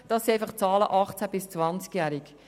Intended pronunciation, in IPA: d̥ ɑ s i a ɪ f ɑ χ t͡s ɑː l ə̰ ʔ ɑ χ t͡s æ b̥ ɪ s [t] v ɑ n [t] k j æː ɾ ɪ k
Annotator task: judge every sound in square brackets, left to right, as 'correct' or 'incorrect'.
incorrect, incorrect

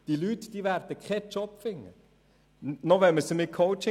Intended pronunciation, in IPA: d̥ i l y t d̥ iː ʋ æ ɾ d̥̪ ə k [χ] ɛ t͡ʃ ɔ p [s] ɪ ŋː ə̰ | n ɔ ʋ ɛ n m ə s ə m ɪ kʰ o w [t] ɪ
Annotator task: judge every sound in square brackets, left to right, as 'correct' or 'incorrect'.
correct, incorrect, incorrect

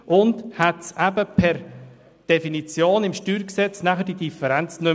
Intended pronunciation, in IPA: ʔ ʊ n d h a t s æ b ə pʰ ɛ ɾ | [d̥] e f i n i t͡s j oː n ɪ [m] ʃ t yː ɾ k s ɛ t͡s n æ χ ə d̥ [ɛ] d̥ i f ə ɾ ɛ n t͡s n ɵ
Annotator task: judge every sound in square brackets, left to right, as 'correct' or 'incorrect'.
correct, correct, incorrect

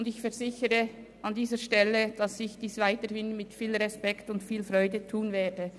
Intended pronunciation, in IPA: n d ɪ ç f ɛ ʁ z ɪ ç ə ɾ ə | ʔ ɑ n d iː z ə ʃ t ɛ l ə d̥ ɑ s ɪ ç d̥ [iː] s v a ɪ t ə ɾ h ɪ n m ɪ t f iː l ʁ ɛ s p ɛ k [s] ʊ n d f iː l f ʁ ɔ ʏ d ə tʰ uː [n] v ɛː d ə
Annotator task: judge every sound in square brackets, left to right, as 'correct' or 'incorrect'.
correct, incorrect, correct

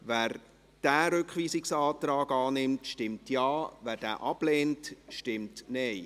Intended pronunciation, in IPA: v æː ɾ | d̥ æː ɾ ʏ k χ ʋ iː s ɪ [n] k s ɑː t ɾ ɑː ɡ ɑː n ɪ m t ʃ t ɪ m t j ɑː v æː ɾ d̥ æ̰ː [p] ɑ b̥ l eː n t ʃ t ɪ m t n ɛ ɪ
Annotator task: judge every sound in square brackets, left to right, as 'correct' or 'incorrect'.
incorrect, incorrect

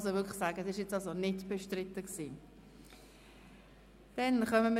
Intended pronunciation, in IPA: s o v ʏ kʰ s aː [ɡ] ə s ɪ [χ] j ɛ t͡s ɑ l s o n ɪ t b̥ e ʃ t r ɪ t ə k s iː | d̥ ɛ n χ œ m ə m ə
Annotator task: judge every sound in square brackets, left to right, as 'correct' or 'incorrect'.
correct, incorrect

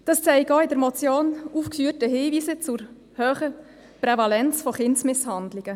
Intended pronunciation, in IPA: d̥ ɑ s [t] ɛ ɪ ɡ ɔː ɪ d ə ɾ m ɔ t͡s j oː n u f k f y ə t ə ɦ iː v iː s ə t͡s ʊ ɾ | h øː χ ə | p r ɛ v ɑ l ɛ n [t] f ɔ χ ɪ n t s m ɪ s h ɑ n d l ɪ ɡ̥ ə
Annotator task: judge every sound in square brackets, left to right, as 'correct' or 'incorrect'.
incorrect, incorrect

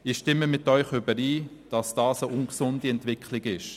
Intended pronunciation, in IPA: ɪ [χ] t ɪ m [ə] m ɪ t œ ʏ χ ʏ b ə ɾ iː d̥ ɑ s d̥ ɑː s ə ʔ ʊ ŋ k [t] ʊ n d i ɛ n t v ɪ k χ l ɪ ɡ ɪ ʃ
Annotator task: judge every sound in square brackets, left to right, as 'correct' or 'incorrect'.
incorrect, correct, incorrect

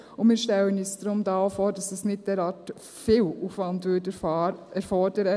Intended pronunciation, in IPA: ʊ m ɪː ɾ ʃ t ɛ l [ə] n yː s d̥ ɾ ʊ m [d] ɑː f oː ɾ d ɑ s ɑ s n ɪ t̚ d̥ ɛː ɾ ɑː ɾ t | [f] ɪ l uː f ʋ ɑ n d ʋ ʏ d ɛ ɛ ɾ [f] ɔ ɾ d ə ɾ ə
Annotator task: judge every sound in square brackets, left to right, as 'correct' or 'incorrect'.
correct, correct, correct, correct

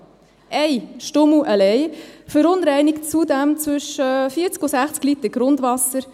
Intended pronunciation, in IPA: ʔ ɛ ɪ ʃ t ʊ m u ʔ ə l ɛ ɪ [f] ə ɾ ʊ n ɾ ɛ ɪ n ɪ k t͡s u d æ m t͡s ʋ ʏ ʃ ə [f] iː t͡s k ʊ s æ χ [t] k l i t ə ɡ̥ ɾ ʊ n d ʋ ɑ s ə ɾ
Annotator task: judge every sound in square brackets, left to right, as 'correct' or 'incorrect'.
correct, correct, incorrect

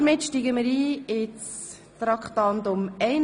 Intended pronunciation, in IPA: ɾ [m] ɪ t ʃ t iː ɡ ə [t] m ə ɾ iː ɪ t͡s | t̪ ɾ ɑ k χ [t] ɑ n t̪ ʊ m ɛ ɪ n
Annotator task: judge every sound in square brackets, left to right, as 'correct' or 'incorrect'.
correct, incorrect, correct

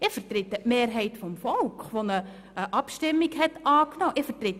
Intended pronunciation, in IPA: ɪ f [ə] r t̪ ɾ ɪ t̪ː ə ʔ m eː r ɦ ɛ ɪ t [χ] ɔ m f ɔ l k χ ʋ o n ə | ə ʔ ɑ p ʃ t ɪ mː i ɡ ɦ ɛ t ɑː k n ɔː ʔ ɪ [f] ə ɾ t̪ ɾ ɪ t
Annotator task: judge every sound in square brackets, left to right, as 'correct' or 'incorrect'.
correct, incorrect, correct

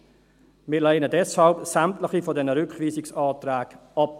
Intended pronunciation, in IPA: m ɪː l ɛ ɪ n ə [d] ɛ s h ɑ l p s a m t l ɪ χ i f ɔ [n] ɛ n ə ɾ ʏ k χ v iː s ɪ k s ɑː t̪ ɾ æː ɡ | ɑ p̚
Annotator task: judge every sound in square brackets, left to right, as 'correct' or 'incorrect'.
correct, incorrect

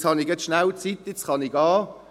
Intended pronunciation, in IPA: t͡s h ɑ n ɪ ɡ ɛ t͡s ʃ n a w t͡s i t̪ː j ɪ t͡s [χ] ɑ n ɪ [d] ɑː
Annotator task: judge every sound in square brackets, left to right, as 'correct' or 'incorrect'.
correct, incorrect

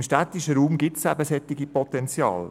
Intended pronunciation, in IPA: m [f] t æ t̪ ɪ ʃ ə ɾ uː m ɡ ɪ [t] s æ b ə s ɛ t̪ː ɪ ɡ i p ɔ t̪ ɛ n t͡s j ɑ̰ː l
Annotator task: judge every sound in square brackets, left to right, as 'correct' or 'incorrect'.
incorrect, correct

